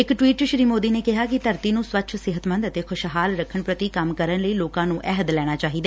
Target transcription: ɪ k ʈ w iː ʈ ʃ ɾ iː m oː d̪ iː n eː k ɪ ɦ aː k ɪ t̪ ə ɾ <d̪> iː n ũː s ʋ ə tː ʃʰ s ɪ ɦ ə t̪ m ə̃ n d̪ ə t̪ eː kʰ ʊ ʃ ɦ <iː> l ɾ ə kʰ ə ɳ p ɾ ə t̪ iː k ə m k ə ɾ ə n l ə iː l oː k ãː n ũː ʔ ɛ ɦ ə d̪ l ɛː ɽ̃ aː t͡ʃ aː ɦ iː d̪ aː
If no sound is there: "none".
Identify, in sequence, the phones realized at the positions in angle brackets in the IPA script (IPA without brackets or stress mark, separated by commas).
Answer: t̪, aː